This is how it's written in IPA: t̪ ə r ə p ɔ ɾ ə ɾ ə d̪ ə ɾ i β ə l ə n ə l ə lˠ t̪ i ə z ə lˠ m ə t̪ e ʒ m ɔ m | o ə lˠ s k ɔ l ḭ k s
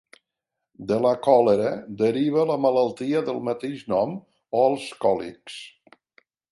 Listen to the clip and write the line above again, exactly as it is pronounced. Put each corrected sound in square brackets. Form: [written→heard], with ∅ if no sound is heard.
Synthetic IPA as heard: [t̪→d̪] ə [r→l] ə [p→k] ɔ [ɾ→l] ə ɾ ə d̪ ə ɾ i β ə l ə [n→m] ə l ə lˠ t̪ i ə [z→ð] ə lˠ m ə t̪ e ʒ [m→n] ɔ m | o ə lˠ s k ɔ l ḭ k s